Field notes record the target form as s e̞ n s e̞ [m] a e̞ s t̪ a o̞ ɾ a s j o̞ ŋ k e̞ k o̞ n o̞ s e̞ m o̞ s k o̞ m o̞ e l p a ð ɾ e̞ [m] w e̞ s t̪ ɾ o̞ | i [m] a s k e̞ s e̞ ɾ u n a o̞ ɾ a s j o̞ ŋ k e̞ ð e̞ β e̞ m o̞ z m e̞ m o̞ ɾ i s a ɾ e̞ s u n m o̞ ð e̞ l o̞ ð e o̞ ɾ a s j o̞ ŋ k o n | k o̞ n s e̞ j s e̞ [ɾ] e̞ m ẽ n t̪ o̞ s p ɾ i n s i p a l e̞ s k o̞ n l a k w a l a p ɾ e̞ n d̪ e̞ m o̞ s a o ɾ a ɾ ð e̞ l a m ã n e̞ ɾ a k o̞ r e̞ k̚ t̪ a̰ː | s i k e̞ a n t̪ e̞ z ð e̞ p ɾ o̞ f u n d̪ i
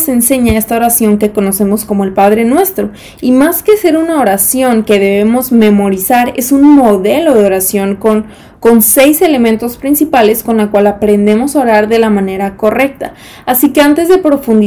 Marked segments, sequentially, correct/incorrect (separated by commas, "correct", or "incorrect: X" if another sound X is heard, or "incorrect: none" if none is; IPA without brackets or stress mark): incorrect: ɲ, incorrect: n, correct, incorrect: l